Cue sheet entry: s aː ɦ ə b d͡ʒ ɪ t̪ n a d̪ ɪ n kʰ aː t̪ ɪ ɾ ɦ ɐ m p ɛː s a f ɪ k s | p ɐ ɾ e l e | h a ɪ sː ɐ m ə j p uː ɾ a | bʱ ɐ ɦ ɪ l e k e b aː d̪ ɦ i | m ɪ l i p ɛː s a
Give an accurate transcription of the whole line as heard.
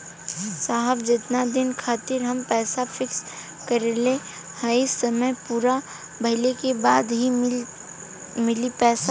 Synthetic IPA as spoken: s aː ɦ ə b d͡ʒ ɪ t̪ n a d̪ ɪ n kʰ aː t̪ ɪ ɾ ɦ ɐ m p ɛː s a f ɪ k s | k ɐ ɾ e l e | h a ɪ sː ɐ m ə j p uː ɾ a | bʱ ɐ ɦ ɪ l e k e b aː d̪ ɦ i | m ɪ l i p ɛː s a